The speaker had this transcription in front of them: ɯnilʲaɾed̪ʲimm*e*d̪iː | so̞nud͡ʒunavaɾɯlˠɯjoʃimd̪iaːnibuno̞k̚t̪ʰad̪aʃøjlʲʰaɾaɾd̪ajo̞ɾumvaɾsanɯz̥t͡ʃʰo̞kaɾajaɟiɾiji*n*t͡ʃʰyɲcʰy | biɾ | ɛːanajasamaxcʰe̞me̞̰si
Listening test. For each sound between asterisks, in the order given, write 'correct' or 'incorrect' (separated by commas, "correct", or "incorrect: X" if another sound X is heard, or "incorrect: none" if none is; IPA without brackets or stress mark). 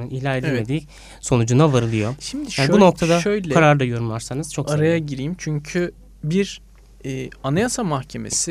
correct, incorrect: m